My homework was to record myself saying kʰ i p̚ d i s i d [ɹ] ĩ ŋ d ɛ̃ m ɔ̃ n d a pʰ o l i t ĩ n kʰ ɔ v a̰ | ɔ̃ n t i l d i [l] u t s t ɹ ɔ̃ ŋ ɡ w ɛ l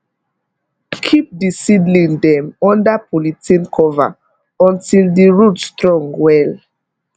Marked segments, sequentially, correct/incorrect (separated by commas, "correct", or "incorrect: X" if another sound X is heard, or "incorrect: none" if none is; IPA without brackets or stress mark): incorrect: l, incorrect: ɹ